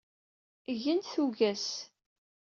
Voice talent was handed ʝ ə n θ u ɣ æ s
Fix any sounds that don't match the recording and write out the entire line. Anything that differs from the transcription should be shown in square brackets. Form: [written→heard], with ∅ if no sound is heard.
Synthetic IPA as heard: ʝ ə n θ u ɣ æ s